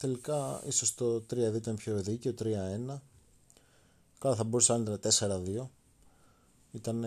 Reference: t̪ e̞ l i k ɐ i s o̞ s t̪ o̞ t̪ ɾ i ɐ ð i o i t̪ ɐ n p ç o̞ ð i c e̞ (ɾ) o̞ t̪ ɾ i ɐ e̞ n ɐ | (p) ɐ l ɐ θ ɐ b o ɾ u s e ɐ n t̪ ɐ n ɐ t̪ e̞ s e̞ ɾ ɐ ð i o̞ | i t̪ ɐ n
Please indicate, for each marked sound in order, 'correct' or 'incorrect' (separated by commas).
incorrect, incorrect